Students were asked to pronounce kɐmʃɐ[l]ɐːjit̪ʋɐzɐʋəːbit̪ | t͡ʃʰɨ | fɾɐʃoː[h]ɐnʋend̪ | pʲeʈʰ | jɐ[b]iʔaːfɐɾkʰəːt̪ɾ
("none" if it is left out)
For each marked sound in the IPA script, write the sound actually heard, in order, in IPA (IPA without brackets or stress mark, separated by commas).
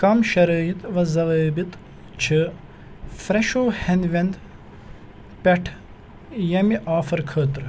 ɾ, h, m